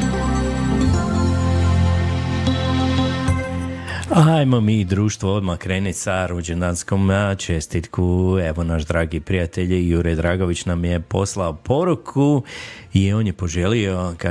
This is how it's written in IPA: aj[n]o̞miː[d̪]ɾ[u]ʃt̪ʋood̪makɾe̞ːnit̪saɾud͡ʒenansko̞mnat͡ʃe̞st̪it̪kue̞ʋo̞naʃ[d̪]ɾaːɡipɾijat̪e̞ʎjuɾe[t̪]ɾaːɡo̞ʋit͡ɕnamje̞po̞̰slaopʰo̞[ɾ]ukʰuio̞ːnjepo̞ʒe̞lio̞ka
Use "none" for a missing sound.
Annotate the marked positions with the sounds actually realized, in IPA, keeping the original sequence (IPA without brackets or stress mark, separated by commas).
m, d̪, uː, d̪, d̪, ɾ